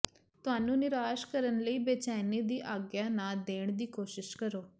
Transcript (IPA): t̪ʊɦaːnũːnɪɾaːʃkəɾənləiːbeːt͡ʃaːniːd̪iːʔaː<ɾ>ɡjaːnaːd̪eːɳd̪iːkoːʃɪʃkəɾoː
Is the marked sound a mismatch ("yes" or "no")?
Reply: yes